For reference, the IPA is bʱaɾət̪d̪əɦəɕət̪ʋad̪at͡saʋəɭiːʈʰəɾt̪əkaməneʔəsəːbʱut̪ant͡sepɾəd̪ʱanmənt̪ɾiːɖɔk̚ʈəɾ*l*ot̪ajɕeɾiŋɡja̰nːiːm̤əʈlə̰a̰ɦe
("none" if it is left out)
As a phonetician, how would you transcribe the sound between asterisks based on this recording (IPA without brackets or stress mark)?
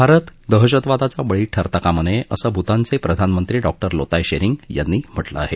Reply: l